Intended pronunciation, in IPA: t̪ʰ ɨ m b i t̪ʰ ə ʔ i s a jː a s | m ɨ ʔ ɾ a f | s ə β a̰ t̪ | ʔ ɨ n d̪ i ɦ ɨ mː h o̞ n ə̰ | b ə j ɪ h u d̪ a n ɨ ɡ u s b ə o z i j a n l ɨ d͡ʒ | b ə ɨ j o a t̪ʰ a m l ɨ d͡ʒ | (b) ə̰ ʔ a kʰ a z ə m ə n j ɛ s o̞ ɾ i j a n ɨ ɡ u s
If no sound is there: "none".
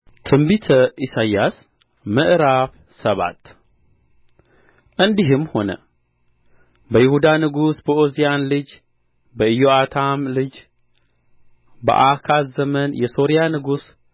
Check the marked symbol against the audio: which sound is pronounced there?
b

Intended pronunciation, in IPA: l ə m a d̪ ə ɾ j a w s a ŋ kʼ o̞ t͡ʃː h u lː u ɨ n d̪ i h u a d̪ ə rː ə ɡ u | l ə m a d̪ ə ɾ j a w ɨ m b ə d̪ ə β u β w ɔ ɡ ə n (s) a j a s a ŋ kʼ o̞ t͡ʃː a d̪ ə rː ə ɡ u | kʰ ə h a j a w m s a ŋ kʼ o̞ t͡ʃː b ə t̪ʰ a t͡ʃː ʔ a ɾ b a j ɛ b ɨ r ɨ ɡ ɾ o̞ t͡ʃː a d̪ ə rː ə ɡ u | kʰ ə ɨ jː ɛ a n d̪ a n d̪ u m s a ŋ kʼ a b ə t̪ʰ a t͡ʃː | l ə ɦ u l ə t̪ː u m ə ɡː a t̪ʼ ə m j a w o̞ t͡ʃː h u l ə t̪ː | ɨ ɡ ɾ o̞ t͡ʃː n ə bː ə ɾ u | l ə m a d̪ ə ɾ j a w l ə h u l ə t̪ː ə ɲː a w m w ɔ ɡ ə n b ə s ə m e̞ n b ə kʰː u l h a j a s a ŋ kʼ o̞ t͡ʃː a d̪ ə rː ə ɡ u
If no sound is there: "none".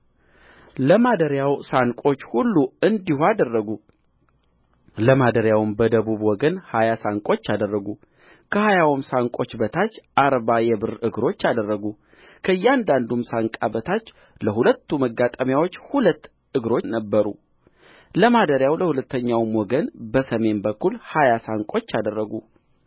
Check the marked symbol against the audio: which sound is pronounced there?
h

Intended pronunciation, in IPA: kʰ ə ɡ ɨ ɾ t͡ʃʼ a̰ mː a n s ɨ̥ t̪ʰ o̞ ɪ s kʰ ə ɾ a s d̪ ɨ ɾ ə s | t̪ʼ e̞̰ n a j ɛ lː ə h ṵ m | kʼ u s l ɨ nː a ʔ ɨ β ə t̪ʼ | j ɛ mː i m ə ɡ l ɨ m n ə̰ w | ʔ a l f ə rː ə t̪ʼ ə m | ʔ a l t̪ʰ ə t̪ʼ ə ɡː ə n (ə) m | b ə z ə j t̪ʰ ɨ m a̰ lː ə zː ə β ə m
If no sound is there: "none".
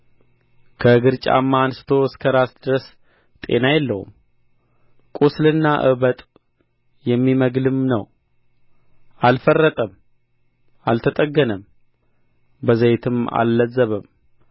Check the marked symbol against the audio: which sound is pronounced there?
ə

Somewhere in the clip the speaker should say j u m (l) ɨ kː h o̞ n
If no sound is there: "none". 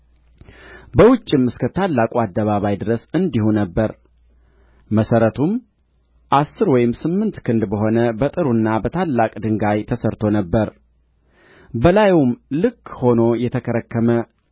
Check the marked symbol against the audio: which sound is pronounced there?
l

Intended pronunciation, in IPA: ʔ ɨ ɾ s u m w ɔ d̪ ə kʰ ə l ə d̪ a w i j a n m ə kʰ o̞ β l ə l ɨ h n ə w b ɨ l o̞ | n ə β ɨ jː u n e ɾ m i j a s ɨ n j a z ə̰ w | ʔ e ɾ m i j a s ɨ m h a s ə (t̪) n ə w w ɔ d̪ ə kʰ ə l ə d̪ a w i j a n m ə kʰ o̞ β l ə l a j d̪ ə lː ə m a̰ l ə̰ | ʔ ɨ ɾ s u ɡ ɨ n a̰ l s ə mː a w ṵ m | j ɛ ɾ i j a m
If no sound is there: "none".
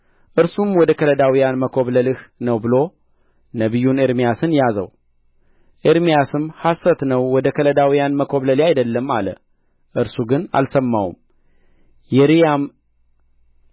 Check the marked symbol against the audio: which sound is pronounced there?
t̪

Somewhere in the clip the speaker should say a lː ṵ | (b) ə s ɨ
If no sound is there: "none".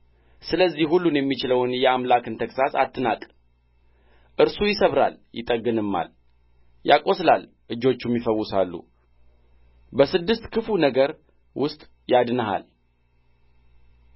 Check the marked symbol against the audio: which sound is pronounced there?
b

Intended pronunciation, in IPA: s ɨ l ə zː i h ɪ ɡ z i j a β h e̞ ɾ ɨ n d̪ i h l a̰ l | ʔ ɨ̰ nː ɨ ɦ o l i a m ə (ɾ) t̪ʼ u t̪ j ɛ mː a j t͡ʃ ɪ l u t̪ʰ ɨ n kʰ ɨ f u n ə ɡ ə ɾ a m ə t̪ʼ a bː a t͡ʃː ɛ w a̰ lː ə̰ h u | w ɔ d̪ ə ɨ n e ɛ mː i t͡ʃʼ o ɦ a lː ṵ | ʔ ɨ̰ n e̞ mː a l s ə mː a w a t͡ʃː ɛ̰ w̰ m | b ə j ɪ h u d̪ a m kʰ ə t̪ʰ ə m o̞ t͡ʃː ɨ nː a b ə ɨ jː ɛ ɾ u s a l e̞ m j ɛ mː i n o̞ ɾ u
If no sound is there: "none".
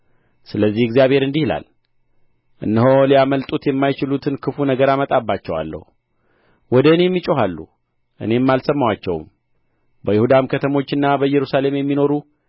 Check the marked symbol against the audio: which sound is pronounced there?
l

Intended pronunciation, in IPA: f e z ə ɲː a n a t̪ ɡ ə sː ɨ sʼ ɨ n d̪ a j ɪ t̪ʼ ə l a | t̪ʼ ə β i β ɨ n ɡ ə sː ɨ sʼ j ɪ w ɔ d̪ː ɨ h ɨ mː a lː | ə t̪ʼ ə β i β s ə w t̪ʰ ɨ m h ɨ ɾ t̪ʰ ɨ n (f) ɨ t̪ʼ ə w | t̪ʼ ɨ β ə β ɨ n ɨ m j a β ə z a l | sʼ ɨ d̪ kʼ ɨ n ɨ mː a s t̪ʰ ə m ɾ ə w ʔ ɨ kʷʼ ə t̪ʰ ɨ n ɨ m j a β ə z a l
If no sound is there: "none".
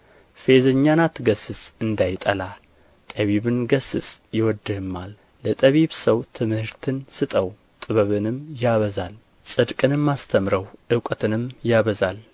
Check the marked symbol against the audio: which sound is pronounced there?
s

